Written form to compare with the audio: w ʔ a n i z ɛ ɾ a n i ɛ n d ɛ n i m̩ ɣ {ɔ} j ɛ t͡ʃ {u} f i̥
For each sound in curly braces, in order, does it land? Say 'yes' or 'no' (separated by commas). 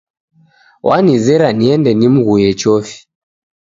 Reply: no, no